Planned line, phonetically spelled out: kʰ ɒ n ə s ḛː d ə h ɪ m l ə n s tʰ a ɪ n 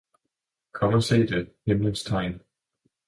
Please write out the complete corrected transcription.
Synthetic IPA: kʰ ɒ m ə s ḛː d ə h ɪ m l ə n s tʰ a ɪ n

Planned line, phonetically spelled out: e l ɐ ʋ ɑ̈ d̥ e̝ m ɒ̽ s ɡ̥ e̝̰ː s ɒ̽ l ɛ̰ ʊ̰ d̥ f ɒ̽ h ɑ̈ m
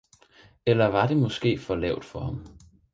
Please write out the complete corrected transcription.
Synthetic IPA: e l ɐ ʋ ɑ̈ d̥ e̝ m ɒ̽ s ɡ̥ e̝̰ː f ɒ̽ l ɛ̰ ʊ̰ d̥ f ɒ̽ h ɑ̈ m

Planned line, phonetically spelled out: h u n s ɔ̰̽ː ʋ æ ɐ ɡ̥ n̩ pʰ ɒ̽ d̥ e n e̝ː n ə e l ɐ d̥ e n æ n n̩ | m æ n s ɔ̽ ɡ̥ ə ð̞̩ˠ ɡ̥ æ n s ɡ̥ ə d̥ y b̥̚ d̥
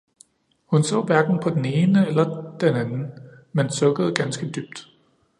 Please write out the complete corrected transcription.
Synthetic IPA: h u n s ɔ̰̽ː ʋ æ ɐ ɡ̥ n̩ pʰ ɒ̽ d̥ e n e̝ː n ə e l ɐ d̥ e n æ n n̩ | m e n s ɔ̽ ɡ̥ ə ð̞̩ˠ ɡ̥ æ n s ɡ̥ ə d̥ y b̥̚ d̥

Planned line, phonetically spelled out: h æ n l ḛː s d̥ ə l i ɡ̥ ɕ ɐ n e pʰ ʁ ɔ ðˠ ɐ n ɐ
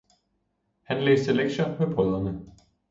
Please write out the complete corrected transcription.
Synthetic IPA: h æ n l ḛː s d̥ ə l e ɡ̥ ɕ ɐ m e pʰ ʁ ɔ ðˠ ɐ n ə

